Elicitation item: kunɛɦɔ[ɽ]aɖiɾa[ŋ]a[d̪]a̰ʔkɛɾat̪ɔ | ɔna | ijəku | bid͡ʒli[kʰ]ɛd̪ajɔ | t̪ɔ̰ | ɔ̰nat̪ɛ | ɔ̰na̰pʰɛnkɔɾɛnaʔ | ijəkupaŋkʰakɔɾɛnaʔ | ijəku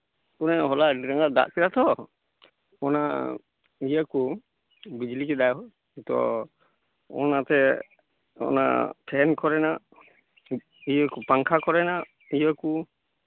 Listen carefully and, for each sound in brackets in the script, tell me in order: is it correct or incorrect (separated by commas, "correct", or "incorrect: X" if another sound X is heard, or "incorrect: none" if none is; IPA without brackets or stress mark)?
incorrect: l, correct, correct, incorrect: k